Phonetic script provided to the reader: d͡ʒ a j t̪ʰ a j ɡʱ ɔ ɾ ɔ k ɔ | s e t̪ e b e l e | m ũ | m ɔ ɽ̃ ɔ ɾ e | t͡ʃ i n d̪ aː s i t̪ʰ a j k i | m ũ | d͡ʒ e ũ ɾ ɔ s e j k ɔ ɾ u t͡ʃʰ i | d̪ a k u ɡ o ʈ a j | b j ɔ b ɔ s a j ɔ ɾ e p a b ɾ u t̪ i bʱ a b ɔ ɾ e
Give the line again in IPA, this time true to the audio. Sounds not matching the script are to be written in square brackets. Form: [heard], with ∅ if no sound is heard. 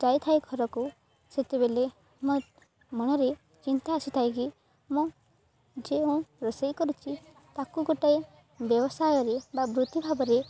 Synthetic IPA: d͡ʒ a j t̪ʰ a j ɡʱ ɔ ɾ ɔ k [u] | s e t̪ e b e l e | m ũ | m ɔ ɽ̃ ɔ ɾ e | t͡ʃ i n [t̪] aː s i t̪ʰ a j k i | m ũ | d͡ʒ e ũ ɾ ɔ s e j k ɔ ɾ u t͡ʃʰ i | [t̪] a k u ɡ o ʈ a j | b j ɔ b ɔ s a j ɔ ɾ e [b] a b ɾ u t̪ i bʱ a b ɔ ɾ e